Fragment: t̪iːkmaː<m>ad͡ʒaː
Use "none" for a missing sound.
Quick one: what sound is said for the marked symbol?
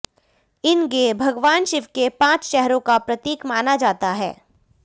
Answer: n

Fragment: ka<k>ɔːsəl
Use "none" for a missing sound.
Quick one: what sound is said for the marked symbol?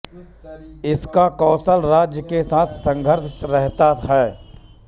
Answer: k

